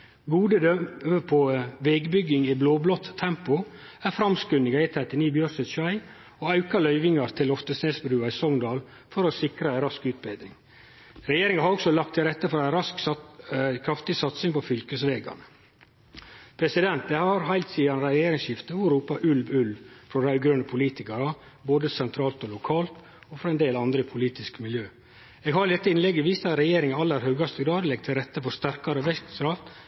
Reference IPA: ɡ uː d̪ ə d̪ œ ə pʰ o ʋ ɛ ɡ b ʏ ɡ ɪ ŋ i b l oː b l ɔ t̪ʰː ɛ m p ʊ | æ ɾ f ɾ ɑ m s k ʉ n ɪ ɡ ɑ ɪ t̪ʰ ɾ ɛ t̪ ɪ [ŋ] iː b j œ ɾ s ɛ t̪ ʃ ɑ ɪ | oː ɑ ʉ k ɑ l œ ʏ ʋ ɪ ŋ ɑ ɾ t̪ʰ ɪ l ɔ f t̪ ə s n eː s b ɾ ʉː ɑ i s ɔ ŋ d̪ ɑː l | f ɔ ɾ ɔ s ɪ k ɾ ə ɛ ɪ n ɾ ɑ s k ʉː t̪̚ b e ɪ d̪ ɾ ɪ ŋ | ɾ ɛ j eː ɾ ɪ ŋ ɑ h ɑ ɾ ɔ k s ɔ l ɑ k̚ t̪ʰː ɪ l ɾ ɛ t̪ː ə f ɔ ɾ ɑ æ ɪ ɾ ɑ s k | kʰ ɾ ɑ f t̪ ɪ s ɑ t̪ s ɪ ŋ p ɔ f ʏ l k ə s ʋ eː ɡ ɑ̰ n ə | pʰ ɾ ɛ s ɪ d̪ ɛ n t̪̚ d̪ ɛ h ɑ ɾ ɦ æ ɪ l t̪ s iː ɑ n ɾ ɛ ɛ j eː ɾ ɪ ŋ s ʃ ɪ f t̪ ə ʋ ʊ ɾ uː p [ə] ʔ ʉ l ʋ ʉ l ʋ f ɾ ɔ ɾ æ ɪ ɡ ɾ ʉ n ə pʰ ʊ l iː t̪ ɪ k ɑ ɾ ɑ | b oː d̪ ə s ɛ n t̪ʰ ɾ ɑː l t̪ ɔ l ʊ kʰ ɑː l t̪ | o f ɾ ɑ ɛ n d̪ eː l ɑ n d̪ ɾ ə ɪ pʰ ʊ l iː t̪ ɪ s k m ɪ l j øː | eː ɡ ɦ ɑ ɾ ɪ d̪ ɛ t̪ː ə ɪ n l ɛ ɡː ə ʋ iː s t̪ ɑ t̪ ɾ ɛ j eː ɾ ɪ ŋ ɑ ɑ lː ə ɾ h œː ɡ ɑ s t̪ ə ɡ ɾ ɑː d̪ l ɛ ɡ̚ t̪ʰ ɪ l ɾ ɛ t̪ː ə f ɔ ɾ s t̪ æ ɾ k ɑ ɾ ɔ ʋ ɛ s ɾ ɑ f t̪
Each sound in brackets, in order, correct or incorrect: incorrect: n, incorrect: ɑ

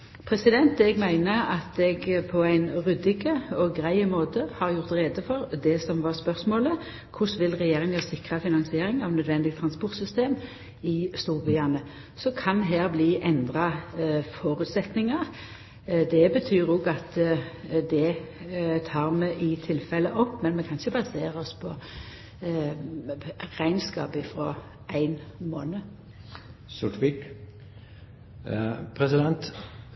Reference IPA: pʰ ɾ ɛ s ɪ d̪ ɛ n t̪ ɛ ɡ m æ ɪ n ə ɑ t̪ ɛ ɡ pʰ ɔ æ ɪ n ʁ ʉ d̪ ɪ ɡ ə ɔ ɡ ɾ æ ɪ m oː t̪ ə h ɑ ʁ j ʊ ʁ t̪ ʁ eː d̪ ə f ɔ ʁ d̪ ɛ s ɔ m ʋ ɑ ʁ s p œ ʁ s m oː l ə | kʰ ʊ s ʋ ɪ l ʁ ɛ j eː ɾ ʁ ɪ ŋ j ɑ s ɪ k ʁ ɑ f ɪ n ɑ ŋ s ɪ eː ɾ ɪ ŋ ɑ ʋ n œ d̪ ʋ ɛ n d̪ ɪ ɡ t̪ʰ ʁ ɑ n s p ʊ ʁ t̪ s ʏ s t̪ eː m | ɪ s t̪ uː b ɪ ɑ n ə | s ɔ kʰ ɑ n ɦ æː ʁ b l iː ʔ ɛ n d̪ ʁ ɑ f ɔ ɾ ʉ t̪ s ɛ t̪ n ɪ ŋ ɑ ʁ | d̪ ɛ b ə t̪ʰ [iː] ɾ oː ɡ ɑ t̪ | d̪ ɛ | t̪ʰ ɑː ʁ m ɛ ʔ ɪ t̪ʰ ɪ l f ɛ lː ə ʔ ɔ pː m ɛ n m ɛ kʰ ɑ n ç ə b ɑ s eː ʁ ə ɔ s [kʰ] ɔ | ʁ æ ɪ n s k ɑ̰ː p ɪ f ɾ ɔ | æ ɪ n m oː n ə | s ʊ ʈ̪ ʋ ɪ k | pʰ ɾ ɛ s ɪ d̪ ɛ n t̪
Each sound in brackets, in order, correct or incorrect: incorrect: yː, incorrect: pʰ

